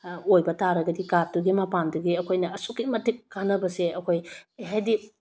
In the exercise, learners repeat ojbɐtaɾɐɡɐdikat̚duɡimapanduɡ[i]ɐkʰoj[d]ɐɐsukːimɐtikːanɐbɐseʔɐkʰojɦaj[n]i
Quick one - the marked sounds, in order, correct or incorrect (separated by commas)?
correct, incorrect, incorrect